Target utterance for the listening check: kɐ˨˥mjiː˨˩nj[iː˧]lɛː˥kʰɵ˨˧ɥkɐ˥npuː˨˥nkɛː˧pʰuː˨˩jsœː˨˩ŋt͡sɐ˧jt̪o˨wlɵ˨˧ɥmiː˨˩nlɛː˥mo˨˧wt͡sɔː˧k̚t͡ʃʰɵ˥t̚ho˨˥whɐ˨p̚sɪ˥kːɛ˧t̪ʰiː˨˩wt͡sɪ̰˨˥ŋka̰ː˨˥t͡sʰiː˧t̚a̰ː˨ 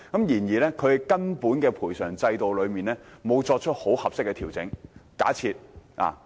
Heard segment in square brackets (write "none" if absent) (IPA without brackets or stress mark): iː˨˩